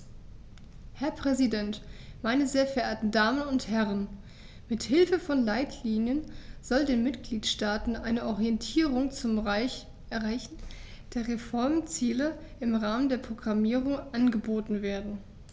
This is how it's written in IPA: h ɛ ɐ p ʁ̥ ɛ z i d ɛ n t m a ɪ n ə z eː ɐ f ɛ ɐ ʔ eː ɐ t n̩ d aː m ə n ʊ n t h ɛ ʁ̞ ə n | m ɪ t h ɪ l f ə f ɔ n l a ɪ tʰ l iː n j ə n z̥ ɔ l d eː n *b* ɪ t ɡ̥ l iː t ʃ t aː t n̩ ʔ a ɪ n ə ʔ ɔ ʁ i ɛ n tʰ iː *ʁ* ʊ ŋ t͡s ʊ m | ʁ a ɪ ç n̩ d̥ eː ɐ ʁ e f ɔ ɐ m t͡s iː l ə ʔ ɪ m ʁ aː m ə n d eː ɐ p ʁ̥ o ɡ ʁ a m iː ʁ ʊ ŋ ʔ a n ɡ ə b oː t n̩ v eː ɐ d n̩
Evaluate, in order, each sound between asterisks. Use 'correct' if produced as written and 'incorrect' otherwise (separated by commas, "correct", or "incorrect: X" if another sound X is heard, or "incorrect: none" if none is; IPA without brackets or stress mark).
incorrect: m, correct